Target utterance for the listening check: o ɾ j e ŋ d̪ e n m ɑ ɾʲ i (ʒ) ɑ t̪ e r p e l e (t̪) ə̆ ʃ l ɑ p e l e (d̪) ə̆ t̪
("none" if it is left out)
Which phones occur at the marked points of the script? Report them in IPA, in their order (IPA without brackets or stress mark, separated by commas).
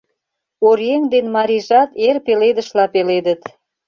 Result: ʒ, d̪, d̪